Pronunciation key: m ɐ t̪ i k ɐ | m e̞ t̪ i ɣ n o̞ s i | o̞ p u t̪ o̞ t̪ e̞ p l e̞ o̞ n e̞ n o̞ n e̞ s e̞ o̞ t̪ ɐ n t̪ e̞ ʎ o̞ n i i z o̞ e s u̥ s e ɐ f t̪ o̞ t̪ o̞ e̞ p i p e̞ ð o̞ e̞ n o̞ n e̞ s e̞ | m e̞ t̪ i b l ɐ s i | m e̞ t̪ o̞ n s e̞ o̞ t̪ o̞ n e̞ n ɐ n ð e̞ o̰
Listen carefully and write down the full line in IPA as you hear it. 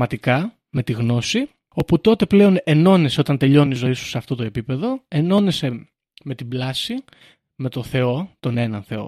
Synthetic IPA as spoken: m ɐ t̪ i k ɐ | m e̞ t̪ i ɣ n o̞ s i | o̞ p u t̪ o̞ t̪ e̞ p l e̞ o̞ n e̞ n o̞ n e̞ s e̞ o̞ t̪ ɐ n t̪ e̞ ʎ o̞ n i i z o̞ i s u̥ s e ɐ f t̪ o̞ t̪ o̞ e̞ p i p e̞ ð o̞ e̞ n o̞ n e̞ s e̞ | m e̞ t̪ i b l ɐ s i | m e̞ t̪ o̞ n θ e̞ o̞ t̪ o̞ n e̞ n ɐ n θ e̞ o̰